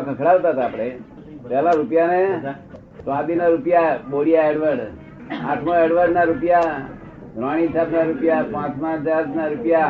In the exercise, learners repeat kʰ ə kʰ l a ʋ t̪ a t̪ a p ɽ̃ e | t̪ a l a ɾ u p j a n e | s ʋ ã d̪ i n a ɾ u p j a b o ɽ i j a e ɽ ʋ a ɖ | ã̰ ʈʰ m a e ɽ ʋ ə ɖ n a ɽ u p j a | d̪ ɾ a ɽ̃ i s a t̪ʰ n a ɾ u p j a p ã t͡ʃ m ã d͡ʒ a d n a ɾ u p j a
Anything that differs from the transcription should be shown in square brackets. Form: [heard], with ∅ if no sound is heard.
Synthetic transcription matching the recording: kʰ ə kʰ [ɽ] a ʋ t̪ a t̪ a p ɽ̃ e | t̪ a l a ɾ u p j a n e | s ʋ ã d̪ i n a ɾ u p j a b o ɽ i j a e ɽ ʋ [ə] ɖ | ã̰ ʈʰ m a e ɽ ʋ ə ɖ n a [ɾ] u p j a | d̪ ɾ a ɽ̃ i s a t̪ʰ n a ɾ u p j a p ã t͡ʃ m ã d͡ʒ a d n a ɾ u p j a